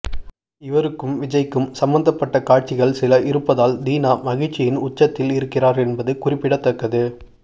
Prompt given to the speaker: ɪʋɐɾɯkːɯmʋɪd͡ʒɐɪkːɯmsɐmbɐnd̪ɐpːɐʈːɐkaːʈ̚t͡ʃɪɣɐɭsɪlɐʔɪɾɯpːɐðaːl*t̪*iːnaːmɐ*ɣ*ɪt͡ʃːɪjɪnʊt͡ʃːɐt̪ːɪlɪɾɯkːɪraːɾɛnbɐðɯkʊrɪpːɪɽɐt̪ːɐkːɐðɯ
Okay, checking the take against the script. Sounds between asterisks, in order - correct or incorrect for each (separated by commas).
incorrect, correct